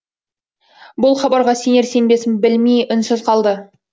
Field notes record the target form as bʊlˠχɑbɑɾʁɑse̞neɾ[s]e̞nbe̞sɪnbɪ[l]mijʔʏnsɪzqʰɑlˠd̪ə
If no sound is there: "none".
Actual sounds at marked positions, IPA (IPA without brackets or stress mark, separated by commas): s, l